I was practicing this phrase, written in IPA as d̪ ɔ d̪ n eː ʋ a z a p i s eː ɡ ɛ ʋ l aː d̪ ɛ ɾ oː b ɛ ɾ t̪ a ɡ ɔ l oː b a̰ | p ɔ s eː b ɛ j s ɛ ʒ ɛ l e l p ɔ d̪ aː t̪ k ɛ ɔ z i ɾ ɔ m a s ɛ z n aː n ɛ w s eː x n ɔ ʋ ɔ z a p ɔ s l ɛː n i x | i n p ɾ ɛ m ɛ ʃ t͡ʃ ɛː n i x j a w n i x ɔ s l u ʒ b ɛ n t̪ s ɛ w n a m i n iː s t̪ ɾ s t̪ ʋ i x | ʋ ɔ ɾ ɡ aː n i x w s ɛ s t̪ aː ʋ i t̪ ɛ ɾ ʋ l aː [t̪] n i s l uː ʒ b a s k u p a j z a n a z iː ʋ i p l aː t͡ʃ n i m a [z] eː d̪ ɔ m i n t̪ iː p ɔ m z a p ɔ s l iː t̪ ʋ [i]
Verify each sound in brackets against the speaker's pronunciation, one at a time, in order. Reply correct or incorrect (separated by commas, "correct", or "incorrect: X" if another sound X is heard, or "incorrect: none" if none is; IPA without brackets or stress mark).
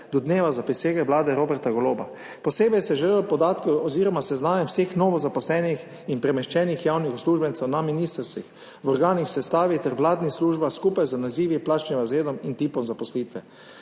incorrect: d̪, correct, incorrect: ɛ